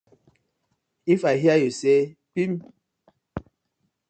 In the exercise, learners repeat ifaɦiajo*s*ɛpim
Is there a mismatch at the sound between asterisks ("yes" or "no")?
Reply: no